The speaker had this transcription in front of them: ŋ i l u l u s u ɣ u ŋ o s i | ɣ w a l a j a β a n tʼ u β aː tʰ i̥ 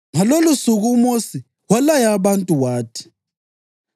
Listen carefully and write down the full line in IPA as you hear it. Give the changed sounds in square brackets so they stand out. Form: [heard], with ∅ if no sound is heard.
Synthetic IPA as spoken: ŋ [a] l [o] l u s u ɣ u [m] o s i | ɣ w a l a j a β a n tʼ u [w] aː tʰ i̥